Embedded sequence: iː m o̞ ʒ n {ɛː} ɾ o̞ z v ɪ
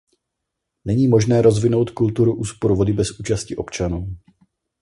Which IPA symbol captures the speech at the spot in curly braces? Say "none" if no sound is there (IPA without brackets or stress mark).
ɛː